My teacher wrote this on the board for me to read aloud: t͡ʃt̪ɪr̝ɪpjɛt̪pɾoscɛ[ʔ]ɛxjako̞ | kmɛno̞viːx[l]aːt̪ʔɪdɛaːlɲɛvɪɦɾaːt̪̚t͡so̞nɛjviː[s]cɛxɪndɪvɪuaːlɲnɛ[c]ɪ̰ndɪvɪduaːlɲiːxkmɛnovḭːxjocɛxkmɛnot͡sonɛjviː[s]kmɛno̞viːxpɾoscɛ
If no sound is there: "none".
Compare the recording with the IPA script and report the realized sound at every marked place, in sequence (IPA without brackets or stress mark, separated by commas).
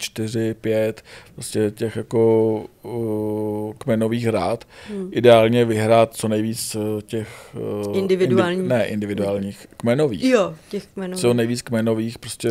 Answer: c, ɾ, t͡s, ʔ, t͡s